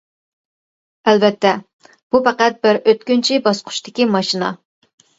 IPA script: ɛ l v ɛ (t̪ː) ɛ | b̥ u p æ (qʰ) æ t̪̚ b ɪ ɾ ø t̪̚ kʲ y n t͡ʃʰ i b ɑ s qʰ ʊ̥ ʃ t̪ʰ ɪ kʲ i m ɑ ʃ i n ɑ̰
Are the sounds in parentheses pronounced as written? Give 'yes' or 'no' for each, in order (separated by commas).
yes, no